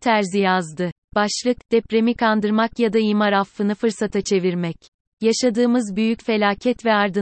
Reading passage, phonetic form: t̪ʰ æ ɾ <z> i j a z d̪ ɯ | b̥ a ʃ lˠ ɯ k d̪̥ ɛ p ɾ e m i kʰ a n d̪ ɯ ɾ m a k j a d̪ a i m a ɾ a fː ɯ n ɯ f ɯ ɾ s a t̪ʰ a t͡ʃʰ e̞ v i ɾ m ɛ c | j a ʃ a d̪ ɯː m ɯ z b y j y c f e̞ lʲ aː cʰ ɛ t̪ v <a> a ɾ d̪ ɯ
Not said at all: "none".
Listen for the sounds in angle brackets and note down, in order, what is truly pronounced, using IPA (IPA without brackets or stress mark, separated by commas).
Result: z, ɛ